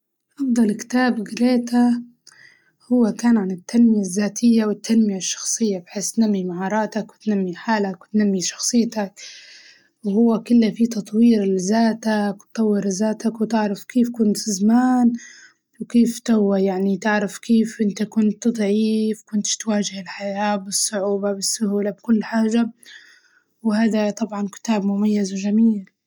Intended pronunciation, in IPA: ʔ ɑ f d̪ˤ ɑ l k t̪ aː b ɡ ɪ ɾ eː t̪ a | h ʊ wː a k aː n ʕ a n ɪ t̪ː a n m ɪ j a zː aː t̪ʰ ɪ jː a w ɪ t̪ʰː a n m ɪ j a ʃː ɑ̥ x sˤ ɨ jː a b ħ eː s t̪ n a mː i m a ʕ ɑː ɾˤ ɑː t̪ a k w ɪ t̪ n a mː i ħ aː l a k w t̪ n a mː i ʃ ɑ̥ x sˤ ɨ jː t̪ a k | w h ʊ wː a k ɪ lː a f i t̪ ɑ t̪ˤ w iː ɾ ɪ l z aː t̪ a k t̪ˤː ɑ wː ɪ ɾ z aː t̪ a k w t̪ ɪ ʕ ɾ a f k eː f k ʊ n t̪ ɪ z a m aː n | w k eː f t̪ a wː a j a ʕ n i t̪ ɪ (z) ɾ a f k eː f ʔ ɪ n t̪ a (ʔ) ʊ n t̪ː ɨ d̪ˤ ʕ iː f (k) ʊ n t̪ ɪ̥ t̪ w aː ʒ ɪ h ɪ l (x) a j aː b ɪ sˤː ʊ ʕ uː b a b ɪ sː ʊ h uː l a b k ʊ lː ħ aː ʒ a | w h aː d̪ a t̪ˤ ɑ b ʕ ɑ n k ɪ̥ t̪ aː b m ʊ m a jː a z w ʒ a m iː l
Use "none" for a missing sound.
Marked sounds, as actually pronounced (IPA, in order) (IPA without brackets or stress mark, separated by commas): ʕ, k, k, ħ